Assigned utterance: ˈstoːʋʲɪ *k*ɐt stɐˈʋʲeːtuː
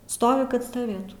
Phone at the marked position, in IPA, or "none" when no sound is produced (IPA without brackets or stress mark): k